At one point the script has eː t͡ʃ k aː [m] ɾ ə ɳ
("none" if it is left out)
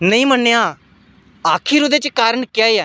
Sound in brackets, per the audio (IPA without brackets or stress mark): none